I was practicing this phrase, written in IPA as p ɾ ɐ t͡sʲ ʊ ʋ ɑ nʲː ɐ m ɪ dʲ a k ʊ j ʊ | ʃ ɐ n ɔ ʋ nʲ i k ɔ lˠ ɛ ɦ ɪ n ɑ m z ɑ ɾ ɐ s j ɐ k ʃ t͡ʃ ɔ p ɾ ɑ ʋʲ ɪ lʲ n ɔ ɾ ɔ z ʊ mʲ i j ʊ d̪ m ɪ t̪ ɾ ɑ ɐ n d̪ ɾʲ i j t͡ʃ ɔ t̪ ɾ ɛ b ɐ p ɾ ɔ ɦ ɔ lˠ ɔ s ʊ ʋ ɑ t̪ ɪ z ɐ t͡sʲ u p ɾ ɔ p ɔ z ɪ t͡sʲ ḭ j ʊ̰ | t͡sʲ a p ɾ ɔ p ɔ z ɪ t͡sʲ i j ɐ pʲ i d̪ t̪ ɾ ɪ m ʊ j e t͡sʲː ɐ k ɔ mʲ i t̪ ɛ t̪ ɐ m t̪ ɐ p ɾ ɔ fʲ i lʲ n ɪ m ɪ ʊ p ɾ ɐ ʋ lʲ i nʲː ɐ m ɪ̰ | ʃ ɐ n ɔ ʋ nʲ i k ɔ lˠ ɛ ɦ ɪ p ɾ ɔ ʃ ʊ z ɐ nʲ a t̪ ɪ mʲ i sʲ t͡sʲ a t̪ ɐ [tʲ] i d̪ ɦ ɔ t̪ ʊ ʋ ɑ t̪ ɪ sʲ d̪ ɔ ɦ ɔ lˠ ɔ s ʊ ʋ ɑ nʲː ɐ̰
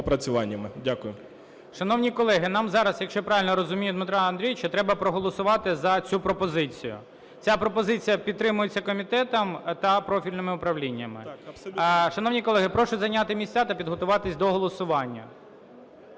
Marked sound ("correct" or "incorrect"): incorrect